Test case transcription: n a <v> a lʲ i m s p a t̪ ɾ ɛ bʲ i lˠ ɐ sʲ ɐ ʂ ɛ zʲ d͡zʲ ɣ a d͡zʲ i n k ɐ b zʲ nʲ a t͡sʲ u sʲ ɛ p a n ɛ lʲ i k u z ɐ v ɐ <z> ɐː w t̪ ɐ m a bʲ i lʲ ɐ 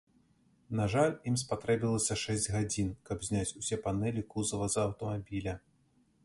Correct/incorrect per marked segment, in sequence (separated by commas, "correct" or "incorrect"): incorrect, correct